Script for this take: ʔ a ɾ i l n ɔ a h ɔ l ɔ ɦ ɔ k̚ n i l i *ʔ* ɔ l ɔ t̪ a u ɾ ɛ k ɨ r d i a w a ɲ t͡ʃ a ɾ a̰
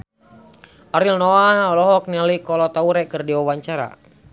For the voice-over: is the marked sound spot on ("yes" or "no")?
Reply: no